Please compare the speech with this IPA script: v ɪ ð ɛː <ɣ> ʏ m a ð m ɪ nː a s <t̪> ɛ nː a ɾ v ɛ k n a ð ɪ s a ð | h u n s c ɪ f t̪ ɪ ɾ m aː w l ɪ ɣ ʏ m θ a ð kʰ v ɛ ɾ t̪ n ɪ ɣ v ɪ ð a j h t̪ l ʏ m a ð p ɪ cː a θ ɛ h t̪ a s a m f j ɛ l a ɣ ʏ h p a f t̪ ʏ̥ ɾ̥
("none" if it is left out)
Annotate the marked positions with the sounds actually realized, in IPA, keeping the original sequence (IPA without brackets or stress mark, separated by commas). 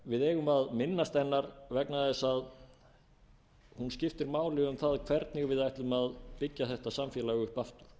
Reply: ɣ, t̪